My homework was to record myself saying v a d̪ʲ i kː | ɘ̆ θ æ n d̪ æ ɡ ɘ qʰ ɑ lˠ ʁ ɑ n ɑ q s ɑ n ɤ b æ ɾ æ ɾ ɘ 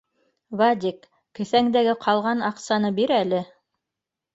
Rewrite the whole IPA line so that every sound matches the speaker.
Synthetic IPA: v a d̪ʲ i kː | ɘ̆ θ æ ŋ d̪ æ ɡ ɘ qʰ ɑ lˠ ʁ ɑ n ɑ q s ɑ n ɤ b i ɾ æ l ɘ